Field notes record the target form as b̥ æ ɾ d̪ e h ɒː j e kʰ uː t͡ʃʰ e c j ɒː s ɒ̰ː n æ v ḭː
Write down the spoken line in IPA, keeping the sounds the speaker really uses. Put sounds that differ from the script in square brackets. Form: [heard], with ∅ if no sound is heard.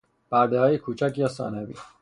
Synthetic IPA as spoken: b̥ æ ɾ d̪ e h ɒː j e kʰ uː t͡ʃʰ [æ] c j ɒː s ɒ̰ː n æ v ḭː